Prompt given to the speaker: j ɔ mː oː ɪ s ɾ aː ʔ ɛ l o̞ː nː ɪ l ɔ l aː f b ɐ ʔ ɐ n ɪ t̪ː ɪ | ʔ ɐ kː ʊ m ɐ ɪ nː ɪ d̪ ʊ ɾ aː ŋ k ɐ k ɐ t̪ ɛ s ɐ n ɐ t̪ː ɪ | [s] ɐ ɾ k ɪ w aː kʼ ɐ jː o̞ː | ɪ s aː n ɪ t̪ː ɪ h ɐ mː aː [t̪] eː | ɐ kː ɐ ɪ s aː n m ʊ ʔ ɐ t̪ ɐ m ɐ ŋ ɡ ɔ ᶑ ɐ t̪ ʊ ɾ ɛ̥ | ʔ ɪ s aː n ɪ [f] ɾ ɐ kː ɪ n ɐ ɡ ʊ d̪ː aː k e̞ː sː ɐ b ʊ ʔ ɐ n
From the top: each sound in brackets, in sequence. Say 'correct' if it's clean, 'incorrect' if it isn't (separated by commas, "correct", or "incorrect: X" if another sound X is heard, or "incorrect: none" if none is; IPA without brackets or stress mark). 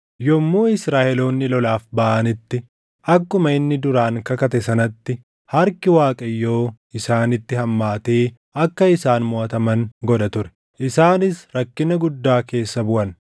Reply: incorrect: h, correct, incorrect: s